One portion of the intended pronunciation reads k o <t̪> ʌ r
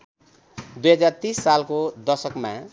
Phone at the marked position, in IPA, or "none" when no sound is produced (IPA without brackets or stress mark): d̪